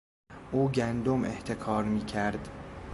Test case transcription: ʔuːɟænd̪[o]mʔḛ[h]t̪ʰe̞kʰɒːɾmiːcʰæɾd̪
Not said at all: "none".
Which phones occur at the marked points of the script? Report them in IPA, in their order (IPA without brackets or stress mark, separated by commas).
o, h